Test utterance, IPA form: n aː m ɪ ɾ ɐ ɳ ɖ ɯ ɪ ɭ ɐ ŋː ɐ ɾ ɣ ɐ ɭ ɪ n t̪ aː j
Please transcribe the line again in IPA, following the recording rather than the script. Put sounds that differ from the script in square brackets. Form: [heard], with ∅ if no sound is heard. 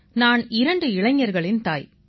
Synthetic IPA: n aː [n] ɪ ɾ ɐ ɳ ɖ ɯ ɪ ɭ ɐ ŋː ɐ ɾ ɣ ɐ ɭ ɪ n t̪ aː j